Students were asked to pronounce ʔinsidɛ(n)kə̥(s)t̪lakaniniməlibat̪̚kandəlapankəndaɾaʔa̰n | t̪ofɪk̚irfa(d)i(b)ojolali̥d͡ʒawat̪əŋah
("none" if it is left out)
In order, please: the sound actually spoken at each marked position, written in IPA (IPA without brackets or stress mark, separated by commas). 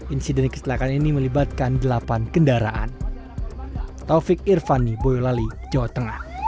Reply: n, s, n, b